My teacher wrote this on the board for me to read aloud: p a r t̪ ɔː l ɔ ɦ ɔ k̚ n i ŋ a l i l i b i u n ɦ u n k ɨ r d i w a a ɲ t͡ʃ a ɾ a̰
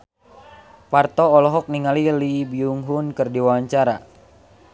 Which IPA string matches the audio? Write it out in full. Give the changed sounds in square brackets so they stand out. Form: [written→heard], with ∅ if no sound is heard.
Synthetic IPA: p a r t̪ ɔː l ɔ ɦ ɔ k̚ n i ŋ a l i l i b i u [n→ŋ] ɦ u n k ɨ r d i w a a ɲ t͡ʃ a ɾ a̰